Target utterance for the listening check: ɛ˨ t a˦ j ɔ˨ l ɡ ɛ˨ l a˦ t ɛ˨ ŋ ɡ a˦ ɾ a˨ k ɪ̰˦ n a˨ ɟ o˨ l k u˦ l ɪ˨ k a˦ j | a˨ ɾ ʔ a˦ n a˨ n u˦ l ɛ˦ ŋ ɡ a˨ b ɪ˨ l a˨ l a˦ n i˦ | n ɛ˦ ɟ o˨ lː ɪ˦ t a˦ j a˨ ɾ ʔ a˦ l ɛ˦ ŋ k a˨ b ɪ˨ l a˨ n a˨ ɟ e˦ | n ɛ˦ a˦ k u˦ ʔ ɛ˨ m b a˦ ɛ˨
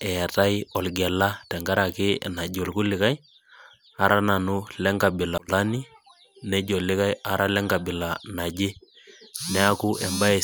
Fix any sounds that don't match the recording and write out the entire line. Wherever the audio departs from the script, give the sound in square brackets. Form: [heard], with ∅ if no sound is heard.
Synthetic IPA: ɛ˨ t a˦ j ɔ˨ l ɡ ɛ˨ l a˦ t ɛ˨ ŋ ɡ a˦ ɾ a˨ k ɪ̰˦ n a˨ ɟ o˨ l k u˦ l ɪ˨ k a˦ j | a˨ ɾ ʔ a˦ n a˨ n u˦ l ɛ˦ ŋ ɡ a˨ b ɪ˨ l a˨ l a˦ n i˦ | n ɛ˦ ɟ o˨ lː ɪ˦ [k] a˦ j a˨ ɾ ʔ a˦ l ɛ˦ ŋ [ɡ] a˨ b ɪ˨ l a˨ n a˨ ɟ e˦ | n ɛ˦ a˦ k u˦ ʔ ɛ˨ m b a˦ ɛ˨

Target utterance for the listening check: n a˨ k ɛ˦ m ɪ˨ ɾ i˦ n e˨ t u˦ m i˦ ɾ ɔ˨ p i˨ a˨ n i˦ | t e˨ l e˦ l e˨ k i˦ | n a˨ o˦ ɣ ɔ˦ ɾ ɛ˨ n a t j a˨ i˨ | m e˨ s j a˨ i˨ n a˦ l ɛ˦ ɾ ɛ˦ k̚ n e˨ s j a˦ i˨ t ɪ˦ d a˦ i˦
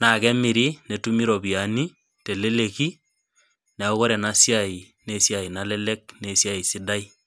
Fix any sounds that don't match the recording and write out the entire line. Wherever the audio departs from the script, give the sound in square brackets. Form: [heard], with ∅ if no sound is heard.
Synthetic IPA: n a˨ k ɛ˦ m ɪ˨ ɾ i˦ n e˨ t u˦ m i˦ ɾ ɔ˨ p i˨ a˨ n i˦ | t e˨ l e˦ l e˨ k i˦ | n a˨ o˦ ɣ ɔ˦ ɾ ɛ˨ n a [s] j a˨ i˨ | [n] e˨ s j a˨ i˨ n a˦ l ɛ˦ [l] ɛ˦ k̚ n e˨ s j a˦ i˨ [s] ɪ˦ d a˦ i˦

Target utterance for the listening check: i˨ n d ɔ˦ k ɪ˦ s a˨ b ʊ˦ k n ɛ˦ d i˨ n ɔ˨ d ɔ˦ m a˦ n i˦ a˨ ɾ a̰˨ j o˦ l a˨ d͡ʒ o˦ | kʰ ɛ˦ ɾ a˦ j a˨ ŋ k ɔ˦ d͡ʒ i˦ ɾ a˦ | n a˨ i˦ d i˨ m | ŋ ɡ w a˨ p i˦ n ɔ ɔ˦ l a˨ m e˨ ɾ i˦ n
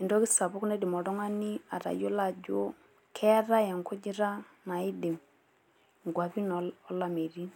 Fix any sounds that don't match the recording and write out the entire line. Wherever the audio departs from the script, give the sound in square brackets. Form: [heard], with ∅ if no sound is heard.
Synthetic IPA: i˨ n d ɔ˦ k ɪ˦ s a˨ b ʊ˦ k n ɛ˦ d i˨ [m] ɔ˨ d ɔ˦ [ŋ] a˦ n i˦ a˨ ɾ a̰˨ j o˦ l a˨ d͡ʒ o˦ | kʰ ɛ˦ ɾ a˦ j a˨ ŋ k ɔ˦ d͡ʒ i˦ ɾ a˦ | n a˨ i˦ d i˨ m | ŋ ɡ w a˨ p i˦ n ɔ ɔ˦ l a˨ m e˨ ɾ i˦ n

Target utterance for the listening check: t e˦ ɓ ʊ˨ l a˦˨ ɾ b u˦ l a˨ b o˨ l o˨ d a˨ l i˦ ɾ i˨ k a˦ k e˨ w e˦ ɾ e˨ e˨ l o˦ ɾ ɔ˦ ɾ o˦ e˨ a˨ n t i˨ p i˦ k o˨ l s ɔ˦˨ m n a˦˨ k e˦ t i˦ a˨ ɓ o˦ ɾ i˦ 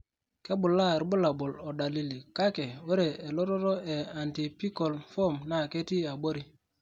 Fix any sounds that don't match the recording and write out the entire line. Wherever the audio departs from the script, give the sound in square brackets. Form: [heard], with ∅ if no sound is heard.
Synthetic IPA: [k] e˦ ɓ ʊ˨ l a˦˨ ɾ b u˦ l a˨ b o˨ l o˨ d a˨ l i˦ [l] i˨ k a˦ k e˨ w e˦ ɾ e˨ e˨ l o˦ ɾ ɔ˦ ɾ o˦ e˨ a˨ n t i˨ p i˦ k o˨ l [f] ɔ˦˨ m n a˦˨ k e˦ t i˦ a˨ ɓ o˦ ɾ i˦

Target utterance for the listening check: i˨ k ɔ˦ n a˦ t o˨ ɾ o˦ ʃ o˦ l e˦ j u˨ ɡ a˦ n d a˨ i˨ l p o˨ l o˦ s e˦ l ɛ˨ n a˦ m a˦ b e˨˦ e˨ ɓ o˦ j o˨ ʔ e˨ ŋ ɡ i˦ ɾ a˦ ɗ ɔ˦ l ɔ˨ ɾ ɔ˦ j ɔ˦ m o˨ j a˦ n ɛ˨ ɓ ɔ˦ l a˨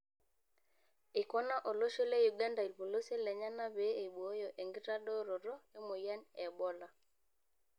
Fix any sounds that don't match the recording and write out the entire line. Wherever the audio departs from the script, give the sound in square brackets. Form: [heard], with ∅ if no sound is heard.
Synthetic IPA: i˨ k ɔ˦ n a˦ [ʔ] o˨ [l] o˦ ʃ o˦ l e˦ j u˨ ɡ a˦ n d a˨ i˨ l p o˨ l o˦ s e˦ l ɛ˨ [ɲ] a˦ [n] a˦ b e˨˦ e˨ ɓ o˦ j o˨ ʔ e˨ ŋ ɡ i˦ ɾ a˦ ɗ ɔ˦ [ɾ] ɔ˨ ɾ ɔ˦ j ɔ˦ m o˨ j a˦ n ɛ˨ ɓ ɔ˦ l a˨

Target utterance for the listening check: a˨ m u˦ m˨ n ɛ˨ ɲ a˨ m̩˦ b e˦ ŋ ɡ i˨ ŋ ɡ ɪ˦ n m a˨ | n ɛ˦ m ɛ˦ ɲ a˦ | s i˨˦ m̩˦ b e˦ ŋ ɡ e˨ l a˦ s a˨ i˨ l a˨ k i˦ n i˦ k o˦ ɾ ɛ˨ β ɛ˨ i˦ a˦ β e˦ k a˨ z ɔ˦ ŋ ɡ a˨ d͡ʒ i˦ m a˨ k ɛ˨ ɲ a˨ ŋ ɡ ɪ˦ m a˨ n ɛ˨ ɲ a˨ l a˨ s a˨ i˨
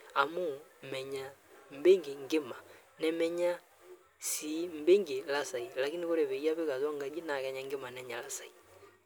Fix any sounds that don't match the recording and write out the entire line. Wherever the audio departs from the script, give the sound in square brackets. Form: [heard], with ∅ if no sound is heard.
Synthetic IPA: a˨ m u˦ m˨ [m] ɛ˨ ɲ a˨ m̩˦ b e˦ ŋ ɡ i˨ ŋ ɡ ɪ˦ [∅] m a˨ | n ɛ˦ m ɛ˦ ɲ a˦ | s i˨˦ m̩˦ b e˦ ŋ ɡ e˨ l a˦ s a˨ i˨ l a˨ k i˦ n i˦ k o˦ ɾ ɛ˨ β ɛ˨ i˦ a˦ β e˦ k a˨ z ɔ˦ ŋ ɡ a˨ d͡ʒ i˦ [n] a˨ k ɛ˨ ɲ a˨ ŋ ɡ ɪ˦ m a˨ n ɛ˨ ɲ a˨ l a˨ s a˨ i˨

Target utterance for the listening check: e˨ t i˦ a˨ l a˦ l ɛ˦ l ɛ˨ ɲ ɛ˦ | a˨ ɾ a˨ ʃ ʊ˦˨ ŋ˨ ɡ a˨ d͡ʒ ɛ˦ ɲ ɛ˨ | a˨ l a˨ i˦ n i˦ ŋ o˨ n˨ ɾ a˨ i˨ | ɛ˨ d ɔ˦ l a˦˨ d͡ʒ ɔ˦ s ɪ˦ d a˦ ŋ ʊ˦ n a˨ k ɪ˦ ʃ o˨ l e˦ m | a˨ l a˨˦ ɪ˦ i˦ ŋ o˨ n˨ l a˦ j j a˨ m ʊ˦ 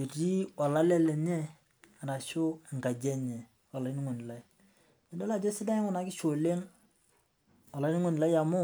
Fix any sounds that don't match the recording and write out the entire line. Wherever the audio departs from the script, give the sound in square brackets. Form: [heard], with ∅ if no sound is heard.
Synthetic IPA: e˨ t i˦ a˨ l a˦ l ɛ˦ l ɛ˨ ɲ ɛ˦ | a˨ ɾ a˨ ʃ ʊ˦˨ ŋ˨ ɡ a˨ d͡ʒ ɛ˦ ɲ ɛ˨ | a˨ l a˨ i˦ n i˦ ŋ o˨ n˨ [l] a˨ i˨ | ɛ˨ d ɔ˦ l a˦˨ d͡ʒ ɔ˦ s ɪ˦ d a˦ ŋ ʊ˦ n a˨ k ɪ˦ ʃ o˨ l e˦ [ŋ] | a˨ l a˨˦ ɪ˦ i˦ ŋ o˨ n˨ l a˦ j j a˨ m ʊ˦

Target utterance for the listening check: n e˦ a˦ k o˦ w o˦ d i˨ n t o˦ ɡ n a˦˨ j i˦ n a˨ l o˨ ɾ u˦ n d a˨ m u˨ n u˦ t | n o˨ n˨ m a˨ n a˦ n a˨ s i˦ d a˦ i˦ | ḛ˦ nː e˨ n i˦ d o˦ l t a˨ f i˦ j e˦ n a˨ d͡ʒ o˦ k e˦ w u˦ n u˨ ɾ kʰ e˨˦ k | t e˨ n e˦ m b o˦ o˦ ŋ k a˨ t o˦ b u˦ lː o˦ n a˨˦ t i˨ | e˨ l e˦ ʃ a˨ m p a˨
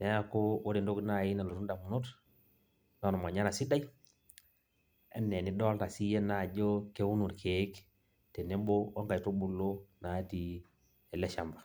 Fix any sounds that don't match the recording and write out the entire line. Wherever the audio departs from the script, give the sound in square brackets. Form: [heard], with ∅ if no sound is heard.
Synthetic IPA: n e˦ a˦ k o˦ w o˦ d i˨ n [d] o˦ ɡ n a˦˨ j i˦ n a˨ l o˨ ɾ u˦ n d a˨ m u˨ n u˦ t | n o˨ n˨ m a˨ [ɲ] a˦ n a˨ s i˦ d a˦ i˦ | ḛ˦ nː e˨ n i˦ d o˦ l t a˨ [s] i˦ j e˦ n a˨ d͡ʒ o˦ k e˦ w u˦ n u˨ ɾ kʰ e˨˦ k | t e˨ n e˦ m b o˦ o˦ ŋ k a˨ t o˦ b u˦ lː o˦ n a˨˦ t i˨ | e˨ l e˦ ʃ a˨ m [b] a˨

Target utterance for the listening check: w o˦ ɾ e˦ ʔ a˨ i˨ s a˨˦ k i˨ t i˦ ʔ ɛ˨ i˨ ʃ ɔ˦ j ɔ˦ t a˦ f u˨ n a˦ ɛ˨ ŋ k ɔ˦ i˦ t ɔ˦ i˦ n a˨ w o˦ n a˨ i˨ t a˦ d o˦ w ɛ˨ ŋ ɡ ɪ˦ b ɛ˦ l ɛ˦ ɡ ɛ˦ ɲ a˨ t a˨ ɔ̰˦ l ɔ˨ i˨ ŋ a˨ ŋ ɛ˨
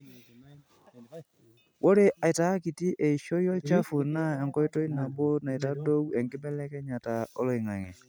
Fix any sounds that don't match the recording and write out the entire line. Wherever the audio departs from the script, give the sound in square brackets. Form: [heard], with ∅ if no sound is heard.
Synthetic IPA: w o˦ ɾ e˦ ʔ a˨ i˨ [t] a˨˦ k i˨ t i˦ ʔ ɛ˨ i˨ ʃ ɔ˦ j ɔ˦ [t͡ʃ] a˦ f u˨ n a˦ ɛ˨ ŋ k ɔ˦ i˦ t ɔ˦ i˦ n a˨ [b] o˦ n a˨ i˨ t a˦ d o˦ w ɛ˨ ŋ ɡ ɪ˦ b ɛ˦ l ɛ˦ [k] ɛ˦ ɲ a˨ t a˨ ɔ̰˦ l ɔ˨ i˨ ŋ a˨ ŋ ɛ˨

